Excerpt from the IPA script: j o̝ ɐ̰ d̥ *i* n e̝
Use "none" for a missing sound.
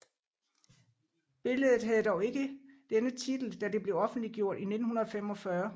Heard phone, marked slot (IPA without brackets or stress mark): i